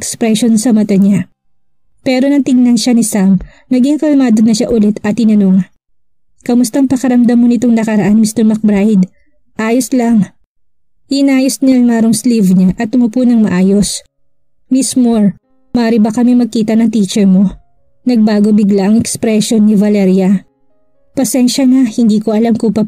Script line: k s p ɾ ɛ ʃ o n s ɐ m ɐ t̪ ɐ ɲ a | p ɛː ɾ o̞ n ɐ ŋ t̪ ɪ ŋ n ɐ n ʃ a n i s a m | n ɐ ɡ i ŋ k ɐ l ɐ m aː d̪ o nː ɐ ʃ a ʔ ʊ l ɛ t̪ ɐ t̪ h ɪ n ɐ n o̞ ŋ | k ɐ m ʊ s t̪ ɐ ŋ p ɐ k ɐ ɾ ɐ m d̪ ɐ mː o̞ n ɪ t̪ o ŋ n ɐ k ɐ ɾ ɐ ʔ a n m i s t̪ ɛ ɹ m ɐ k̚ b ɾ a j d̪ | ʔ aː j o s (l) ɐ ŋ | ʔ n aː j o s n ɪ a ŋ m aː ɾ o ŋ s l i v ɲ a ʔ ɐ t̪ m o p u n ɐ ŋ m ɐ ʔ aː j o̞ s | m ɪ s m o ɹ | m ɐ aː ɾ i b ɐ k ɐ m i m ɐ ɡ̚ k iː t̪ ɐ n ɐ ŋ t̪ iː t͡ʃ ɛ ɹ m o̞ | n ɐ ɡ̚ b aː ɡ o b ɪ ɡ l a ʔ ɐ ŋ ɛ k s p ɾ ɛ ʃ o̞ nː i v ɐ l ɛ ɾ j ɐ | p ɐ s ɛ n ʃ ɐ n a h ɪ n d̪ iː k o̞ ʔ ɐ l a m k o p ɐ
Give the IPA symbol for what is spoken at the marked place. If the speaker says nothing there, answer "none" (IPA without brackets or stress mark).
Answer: l